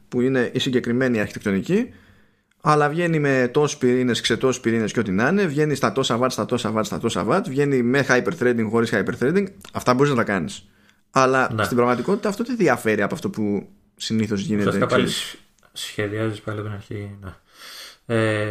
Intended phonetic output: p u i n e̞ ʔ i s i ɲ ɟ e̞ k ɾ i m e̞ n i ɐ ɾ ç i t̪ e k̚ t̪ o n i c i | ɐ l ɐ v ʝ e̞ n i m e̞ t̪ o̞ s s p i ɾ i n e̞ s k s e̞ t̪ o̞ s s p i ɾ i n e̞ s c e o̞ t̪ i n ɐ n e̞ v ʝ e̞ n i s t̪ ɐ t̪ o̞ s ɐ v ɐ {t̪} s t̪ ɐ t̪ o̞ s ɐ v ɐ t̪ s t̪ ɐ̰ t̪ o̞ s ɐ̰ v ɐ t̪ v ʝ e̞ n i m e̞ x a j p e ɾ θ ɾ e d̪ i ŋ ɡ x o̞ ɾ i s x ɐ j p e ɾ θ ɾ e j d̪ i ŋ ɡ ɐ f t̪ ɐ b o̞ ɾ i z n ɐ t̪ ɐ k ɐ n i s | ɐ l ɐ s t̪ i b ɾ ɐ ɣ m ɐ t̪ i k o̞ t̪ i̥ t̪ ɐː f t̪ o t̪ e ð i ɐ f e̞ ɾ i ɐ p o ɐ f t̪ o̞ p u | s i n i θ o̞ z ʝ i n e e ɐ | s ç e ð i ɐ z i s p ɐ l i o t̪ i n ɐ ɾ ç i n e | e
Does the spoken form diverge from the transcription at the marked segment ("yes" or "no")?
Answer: no